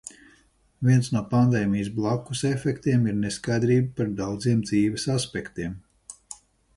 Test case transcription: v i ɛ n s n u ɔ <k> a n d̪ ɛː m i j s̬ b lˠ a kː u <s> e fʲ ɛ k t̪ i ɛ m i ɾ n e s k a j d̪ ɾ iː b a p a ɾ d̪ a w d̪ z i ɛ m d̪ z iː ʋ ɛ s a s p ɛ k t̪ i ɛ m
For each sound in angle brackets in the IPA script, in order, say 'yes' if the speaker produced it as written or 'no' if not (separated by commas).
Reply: no, yes